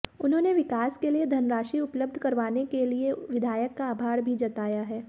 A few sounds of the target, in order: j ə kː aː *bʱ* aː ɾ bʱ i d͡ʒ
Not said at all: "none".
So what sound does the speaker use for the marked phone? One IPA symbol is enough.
bʱ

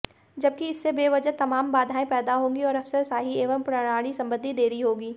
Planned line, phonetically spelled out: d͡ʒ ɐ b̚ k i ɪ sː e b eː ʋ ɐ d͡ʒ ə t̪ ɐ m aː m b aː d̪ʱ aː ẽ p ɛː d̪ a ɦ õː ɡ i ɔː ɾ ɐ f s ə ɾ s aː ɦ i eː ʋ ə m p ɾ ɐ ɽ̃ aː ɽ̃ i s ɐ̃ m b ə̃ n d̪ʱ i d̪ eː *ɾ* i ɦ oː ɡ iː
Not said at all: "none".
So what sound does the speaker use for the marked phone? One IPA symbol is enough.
ɾ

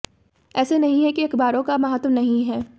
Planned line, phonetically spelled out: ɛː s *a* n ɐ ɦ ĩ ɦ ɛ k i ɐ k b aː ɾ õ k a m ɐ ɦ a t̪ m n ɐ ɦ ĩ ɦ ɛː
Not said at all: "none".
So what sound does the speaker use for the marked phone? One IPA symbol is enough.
e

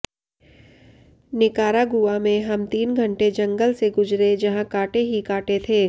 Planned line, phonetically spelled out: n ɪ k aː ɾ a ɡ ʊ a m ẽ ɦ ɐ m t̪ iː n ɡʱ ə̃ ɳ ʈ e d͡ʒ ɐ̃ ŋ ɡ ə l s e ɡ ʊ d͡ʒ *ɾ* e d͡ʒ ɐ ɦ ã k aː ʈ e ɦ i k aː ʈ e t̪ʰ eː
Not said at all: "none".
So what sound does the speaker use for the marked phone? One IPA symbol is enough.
ɾ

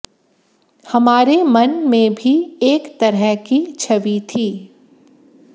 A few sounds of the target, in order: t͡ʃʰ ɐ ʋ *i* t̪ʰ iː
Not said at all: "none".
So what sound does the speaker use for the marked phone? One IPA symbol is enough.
i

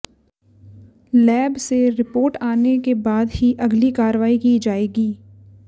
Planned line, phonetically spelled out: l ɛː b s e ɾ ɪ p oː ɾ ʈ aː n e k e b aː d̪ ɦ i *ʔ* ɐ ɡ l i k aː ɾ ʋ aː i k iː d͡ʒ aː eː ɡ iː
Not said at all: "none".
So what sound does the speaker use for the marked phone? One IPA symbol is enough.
ʔ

